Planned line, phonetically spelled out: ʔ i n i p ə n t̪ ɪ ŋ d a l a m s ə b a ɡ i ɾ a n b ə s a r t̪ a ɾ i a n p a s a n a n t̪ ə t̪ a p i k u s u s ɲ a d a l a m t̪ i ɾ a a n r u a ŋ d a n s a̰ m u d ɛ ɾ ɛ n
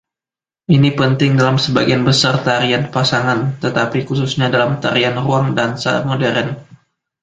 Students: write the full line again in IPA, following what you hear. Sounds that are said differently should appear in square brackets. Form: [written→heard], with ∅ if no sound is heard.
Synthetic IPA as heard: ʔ i n i p ə n t̪ ɪ ŋ d a l a m s ə b a ɡ i [ɾ→∅] a n b ə s a r t̪ a ɾ i a n p a s a [n→ŋ] a n t̪ ə t̪ a p i k u s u s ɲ a d a l a m t̪ [i→a] ɾ [a→i] a n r u a ŋ d a n s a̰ m [u→o] d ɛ ɾ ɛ n